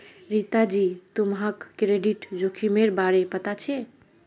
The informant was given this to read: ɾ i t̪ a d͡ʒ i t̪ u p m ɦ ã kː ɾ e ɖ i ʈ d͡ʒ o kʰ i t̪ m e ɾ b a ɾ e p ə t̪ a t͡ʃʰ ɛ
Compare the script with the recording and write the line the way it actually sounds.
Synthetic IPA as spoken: ɾ i t̪ a d͡ʒ i t̪ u m ɦ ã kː ɾ e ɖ i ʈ d͡ʒ o kʰ i m e ɾ b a ɾ e p ə t̪ a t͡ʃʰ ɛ